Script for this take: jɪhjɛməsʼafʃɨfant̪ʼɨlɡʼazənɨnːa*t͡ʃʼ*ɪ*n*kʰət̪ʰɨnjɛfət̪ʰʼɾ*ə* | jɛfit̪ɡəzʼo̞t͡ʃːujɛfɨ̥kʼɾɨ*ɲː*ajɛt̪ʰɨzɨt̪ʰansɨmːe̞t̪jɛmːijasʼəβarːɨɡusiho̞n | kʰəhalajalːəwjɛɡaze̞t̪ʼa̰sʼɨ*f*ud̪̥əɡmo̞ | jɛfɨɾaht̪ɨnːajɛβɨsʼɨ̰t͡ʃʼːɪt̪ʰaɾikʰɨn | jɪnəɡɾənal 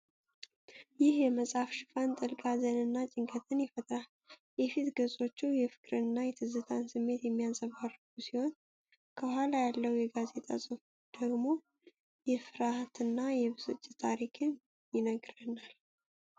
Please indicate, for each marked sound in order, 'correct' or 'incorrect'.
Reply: correct, incorrect, incorrect, incorrect, correct

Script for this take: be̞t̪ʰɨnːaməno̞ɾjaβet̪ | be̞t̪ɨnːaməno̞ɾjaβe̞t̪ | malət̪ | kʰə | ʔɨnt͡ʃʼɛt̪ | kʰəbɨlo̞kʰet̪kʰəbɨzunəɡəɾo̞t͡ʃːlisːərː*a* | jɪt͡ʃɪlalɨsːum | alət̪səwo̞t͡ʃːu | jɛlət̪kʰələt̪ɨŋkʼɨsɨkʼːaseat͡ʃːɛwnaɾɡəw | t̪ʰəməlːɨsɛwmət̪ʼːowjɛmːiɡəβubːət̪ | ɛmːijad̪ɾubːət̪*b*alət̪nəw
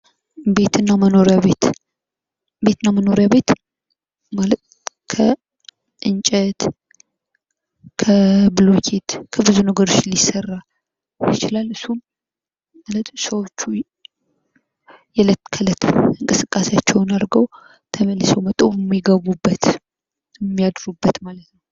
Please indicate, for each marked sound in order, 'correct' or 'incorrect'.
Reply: correct, incorrect

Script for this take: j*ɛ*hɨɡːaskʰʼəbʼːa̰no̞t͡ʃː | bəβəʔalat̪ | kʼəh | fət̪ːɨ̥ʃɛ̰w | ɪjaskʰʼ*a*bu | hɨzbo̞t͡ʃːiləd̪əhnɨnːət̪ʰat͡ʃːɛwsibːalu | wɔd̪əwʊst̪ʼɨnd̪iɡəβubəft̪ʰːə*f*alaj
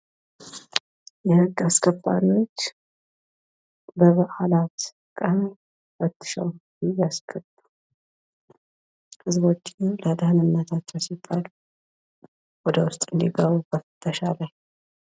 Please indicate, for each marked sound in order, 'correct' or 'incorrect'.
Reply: correct, incorrect, incorrect

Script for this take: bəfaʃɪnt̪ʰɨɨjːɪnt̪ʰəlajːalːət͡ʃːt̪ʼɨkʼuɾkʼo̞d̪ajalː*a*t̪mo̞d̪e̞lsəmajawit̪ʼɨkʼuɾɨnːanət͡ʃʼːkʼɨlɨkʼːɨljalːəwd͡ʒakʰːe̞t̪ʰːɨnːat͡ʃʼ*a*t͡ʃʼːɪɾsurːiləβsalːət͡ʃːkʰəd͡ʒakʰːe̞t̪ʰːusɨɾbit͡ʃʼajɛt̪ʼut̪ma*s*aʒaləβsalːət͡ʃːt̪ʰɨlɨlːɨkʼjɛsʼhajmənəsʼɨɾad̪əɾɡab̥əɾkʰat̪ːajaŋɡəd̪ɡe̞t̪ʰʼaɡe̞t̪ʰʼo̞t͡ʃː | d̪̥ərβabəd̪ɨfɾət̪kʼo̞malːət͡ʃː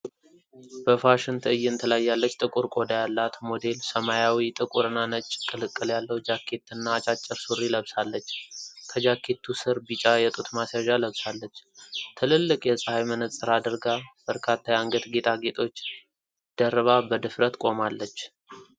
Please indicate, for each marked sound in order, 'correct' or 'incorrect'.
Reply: correct, correct, correct

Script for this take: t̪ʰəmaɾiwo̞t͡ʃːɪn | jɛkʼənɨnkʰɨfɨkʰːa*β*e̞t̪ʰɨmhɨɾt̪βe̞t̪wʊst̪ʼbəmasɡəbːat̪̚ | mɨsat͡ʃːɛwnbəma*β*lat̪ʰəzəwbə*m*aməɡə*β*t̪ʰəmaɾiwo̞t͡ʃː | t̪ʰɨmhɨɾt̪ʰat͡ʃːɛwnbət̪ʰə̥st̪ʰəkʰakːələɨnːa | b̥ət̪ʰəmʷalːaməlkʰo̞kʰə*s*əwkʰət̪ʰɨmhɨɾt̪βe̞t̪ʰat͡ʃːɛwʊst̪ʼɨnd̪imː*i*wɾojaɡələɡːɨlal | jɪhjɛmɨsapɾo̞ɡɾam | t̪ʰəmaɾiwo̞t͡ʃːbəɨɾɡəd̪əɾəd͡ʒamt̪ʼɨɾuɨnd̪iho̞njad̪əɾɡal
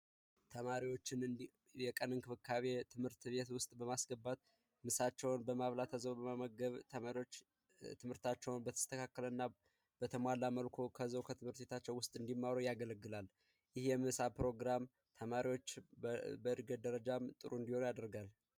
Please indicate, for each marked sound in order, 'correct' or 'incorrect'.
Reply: correct, correct, correct, correct, incorrect, incorrect

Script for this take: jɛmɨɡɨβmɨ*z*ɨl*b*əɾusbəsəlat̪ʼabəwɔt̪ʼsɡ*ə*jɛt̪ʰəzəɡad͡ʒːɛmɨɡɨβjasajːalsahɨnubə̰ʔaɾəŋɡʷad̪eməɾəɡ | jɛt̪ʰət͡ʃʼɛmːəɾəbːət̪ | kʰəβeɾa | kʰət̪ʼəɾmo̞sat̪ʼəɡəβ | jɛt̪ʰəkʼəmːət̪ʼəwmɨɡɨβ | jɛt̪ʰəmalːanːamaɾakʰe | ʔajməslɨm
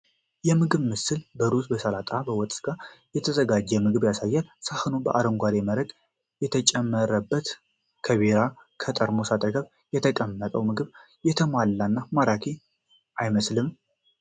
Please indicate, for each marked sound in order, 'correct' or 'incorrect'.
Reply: incorrect, correct, incorrect

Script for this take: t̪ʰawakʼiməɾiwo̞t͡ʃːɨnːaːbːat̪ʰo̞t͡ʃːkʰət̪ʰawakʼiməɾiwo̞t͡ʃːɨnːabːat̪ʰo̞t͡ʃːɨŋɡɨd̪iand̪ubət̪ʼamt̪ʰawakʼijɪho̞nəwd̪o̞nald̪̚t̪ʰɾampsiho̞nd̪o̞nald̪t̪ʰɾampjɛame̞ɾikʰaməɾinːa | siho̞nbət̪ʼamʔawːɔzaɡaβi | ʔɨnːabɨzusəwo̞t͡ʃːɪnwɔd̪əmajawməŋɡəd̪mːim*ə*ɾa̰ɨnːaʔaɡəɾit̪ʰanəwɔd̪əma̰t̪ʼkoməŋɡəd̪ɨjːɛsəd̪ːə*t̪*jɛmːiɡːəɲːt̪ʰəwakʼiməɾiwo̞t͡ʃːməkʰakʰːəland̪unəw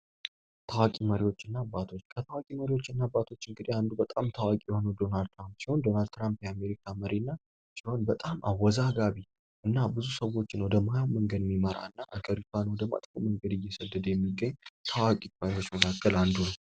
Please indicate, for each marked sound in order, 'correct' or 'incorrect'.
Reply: correct, incorrect

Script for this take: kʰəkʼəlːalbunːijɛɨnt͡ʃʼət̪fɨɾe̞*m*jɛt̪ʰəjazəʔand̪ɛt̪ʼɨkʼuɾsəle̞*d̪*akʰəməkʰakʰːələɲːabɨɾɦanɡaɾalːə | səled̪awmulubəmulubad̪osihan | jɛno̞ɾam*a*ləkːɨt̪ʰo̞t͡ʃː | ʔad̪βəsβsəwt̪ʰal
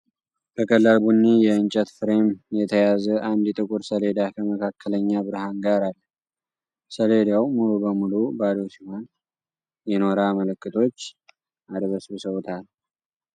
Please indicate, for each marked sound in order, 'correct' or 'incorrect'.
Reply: correct, correct, incorrect

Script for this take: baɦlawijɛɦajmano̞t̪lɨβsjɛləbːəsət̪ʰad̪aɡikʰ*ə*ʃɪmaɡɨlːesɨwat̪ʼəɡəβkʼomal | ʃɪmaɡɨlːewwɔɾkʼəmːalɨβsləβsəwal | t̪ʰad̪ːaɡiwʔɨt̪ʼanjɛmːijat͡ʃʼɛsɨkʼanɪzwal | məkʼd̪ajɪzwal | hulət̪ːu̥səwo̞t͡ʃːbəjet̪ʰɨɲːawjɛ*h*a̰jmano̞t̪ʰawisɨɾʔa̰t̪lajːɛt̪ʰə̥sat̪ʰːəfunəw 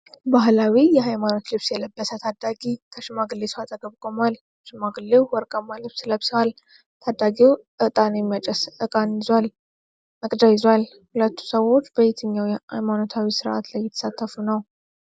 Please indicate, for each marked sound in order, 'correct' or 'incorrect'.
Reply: correct, correct

